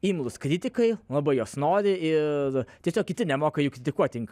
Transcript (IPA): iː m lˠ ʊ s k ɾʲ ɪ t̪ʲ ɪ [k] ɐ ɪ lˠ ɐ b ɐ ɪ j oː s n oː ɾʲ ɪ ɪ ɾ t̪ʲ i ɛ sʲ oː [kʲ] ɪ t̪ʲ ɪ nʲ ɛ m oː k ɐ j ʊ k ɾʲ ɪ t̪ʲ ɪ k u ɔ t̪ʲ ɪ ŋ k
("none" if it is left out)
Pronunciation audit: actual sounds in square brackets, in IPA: k, kʲ

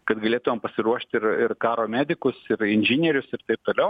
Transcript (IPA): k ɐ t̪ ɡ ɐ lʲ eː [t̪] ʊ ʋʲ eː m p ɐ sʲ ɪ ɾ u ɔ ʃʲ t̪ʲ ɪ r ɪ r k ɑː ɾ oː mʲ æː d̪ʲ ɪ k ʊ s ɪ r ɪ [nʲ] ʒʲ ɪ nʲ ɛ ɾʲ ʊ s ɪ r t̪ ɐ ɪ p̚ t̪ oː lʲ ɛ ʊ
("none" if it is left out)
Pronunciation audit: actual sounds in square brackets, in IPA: t̪, nʲ

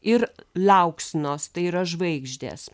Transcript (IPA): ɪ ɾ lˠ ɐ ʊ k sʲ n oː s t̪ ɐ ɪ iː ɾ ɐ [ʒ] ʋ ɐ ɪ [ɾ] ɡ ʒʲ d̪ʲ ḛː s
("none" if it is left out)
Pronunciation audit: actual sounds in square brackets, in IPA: ʒ, none

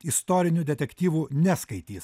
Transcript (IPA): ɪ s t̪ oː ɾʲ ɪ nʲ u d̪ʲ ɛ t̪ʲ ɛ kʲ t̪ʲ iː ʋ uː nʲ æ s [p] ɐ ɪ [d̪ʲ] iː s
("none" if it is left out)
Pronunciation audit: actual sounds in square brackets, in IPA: k, t̪ʲ

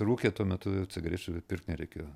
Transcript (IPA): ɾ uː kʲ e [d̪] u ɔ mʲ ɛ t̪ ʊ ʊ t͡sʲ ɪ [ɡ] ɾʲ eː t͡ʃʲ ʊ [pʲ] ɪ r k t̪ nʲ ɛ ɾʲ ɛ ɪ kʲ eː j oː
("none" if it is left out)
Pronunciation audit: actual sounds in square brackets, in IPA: t̪, ɡ, pʲ

